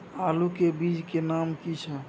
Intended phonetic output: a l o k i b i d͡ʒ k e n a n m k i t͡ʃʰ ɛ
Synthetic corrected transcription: a l u k e b i d͡ʒ k e n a m k i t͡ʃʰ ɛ